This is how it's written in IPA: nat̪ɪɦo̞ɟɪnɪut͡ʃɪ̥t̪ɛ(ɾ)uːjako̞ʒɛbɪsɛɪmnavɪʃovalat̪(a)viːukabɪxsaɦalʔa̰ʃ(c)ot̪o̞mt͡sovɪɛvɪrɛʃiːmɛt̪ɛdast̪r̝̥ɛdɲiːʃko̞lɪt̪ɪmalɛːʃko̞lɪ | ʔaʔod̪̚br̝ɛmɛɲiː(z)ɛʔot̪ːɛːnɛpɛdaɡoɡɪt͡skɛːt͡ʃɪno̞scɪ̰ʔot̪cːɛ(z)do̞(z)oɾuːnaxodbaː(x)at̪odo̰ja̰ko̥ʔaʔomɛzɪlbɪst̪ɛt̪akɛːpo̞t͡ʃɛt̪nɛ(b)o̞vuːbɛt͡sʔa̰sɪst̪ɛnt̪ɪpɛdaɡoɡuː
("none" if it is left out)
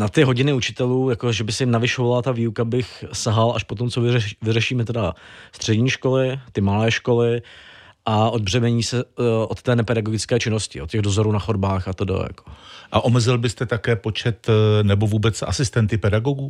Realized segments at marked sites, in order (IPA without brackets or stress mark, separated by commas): l, a, p, s, ɣ, z, x, b